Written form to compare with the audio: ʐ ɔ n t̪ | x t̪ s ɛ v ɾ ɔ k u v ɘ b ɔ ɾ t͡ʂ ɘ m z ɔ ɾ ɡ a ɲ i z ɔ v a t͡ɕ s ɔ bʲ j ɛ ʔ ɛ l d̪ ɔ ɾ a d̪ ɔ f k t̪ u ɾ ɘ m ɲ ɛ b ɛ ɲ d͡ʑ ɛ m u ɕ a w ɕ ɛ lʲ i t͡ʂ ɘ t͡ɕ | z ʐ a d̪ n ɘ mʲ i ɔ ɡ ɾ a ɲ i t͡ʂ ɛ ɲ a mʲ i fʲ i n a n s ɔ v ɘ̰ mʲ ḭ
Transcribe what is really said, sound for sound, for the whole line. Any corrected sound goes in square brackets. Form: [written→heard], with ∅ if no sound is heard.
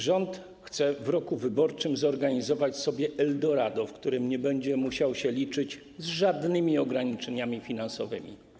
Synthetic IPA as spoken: ʐ ɔ n t̪ | x t̪ s ɛ v ɾ ɔ k u v ɘ b ɔ ɾ t͡ʂ ɘ m z ɔ ɾ ɡ a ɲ i z ɔ v a t͡ɕ s ɔ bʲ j ɛ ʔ ɛ l d̪ ɔ ɾ a d̪ ɔ f k t̪ u ɾ ɘ m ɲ ɛ b ɛ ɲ d͡ʑ ɛ m u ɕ a w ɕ ɛ lʲ i t͡ʂ ɘ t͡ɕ | z ʐ a d̪ n ɘ mʲ i ɔ ɡ ɾ a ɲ i t͡ʂ ɛ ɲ a mʲ i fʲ i n a n s ɔ v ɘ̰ mʲ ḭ